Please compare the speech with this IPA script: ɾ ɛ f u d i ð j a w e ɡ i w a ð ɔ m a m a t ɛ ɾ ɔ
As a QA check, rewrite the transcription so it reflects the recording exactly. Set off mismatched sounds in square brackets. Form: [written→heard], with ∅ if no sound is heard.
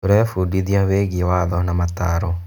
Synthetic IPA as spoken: ɾ ɛ f u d i ð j a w e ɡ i w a ð ɔ [m→n] a m a t [ɛ→a] ɾ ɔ